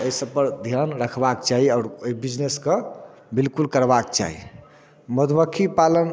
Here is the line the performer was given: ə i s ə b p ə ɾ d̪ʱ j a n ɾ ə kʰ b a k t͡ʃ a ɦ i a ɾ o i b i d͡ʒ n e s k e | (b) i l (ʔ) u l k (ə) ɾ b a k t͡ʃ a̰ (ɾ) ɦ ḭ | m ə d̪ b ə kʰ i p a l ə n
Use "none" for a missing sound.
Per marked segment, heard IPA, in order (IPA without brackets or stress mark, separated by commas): b, k, ə, none